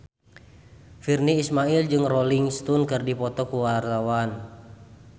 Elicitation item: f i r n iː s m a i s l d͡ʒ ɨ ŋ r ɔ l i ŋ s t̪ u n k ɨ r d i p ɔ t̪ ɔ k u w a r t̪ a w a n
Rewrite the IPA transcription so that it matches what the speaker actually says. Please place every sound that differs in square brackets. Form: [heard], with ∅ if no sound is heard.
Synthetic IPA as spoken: f i r n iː s m a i [∅] l d͡ʒ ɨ ŋ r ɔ l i ŋ s t̪ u n k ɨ r d i p ɔ t̪ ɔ k u w a r t̪ a w a n